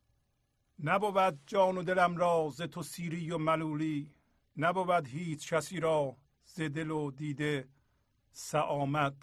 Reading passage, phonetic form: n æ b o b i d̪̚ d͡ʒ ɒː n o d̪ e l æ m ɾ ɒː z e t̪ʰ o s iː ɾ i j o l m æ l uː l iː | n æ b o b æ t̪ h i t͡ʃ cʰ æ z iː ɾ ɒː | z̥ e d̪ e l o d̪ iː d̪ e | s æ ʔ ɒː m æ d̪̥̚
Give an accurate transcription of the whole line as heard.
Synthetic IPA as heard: n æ b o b æ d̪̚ d͡ʒ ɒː n o d̪ e l æ m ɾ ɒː z e t̪ʰ o s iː ɾ i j o m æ l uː l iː | n æ b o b æ d̪ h iː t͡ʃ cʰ æ s iː ɾ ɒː | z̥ e d̪ e l o d̪ iː d̪ e | s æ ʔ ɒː m æ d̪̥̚